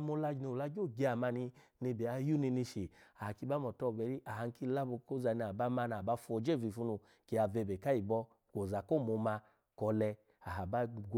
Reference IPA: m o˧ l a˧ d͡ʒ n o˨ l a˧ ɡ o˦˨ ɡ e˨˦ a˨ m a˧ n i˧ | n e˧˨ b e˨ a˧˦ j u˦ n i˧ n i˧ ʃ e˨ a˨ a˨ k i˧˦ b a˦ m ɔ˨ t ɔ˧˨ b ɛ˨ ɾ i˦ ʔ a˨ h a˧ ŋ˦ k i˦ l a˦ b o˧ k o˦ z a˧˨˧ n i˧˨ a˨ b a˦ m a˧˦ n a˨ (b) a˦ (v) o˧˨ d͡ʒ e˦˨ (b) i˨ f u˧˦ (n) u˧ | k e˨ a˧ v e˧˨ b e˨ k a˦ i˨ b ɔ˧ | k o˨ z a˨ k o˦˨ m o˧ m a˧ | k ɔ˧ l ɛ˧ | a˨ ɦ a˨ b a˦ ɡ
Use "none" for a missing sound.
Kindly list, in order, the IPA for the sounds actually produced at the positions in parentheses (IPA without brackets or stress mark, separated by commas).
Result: b, f, v, n